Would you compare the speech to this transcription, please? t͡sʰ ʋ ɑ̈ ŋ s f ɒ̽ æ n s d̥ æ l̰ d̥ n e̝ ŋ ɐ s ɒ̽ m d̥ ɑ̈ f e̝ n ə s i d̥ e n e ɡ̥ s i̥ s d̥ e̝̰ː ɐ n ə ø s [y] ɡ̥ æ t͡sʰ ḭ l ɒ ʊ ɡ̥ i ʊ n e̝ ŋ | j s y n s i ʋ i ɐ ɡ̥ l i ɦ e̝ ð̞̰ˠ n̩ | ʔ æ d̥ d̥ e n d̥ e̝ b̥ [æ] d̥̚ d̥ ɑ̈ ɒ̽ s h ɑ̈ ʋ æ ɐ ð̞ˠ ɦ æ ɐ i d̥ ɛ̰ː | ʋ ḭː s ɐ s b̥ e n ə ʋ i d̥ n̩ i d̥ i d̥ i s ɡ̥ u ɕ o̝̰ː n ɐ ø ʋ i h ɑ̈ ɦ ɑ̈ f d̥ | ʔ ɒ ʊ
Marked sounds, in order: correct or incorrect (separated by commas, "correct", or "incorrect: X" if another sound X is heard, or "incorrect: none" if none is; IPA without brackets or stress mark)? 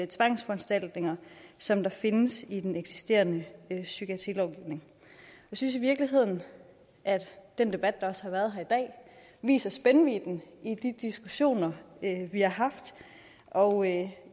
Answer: correct, correct